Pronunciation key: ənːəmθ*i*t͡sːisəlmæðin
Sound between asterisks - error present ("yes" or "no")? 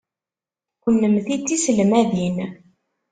no